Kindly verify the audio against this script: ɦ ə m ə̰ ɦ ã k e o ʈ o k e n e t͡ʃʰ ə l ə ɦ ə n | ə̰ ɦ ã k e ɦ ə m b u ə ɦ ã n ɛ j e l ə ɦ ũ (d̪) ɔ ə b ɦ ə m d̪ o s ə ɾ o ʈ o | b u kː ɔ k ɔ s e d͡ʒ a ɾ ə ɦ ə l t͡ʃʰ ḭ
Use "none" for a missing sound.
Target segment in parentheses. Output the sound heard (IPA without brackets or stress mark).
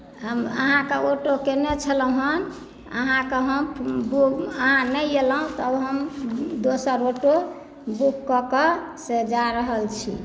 t̪